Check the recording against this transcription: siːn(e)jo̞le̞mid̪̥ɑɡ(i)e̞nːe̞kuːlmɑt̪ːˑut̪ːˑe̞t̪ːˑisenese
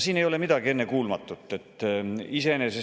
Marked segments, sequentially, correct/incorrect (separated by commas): correct, correct